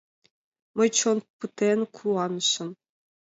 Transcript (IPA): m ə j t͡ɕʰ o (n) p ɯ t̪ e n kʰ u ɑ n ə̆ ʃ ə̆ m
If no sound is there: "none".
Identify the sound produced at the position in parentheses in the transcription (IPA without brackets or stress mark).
n